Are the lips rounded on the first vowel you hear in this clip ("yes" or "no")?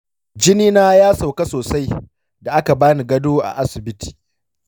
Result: no